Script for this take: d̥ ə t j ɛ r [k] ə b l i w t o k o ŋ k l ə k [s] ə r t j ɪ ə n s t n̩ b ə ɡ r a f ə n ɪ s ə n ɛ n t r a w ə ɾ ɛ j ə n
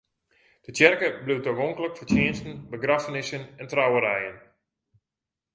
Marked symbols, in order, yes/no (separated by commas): yes, no